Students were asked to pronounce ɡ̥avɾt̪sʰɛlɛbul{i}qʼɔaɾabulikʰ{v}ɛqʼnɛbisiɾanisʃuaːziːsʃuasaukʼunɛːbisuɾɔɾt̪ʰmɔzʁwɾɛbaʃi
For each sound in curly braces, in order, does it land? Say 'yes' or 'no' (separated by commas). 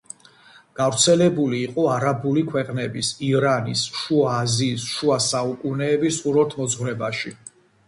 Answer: no, no